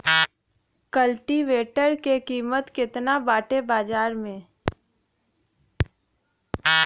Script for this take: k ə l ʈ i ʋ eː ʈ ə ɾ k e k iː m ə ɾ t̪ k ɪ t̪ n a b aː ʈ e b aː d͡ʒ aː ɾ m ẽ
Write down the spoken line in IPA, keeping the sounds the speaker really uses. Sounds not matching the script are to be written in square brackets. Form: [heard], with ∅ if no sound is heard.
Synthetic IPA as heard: k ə l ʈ i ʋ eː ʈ ə ɾ k e k iː m ə [∅] t̪ k ɪ t̪ n a b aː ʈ e b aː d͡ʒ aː ɾ m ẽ